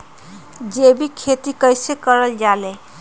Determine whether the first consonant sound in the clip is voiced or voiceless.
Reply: voiced